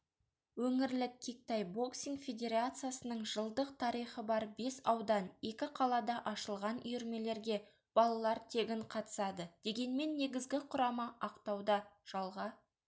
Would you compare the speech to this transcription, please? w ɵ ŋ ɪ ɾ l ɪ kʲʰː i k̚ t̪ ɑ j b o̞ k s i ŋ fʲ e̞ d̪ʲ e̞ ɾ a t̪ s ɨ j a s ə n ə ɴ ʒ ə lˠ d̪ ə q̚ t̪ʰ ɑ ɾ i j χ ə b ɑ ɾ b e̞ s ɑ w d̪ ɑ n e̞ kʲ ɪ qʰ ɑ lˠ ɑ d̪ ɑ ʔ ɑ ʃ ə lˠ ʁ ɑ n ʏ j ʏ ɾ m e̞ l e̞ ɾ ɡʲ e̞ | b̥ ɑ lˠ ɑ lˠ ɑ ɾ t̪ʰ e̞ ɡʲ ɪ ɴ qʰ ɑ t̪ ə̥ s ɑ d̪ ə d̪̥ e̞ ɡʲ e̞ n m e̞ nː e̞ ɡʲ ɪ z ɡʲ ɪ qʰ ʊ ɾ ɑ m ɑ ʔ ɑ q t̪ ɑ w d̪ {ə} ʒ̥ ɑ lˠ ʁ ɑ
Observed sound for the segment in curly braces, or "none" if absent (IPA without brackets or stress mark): ɑ